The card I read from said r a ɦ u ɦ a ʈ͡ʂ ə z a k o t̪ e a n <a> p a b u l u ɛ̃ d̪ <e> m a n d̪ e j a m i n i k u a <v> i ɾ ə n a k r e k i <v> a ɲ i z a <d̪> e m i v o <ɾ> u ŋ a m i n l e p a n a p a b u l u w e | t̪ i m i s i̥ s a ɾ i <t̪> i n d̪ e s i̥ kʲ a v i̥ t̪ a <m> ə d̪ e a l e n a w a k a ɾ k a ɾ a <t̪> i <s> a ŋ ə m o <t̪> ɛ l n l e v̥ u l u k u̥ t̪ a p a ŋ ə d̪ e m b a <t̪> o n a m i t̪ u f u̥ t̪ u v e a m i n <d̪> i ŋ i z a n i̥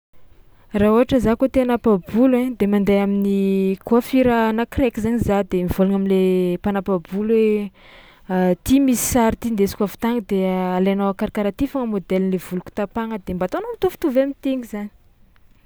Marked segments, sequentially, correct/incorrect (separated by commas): correct, correct, incorrect, incorrect, correct, incorrect, correct, incorrect, correct, incorrect, incorrect, correct, incorrect